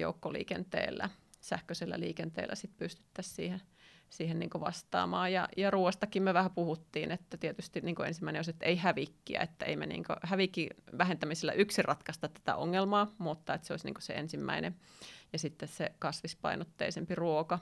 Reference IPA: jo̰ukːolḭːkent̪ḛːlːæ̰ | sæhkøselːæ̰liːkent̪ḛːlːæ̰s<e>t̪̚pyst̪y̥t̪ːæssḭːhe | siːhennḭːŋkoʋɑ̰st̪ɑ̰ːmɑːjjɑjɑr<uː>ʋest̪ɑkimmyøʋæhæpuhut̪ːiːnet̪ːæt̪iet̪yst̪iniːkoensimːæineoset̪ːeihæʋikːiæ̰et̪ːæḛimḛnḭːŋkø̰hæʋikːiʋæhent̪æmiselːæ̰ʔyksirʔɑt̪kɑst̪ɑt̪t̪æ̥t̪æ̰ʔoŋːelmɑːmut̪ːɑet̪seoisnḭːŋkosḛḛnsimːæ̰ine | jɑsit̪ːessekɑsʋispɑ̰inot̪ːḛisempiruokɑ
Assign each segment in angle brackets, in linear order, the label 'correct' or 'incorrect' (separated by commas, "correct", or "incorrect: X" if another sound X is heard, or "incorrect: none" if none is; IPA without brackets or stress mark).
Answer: incorrect: i, correct